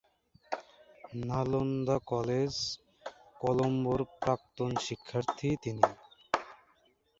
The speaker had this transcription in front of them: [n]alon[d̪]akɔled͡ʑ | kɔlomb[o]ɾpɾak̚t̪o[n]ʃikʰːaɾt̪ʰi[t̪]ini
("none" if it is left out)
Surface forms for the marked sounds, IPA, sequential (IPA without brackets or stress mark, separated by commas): n, d̪, o, n, t̪